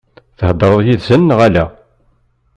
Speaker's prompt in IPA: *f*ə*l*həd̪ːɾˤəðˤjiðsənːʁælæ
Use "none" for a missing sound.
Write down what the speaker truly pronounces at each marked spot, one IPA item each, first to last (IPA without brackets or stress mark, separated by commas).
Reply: θ, none